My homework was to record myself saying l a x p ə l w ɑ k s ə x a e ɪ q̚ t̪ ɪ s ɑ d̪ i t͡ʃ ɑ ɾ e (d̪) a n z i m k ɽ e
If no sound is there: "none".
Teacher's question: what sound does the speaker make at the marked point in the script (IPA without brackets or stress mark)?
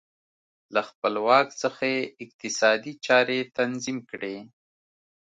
t̪